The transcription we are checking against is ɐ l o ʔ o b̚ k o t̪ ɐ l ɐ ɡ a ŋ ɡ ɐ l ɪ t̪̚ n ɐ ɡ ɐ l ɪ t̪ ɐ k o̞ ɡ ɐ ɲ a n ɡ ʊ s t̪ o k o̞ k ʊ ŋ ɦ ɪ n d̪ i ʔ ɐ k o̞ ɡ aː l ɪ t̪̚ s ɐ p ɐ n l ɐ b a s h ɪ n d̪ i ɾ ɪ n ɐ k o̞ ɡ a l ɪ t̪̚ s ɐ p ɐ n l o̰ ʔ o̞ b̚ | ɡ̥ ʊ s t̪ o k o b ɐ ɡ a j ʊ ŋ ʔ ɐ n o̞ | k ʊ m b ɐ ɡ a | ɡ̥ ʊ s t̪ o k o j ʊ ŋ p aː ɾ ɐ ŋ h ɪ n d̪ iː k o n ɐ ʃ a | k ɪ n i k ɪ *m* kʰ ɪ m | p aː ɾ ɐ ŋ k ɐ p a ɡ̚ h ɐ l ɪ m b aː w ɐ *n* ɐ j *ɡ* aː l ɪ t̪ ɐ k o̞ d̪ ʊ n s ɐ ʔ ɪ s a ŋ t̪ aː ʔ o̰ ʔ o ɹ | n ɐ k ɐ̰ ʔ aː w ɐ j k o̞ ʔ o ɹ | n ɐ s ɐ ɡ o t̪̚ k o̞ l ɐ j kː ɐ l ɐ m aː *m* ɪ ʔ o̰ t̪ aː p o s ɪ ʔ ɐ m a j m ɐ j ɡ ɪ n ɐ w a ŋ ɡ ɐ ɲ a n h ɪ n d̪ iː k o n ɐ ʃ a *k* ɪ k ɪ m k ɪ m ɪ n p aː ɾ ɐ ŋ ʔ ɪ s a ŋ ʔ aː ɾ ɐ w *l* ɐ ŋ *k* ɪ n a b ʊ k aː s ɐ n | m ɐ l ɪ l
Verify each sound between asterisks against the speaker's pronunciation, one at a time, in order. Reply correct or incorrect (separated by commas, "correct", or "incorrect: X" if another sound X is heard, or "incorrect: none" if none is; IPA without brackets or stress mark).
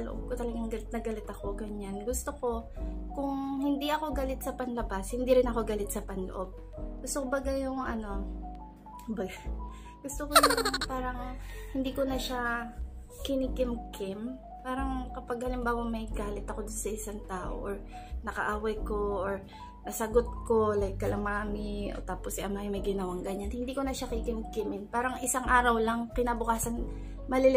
correct, incorrect: m, correct, correct, correct, correct, correct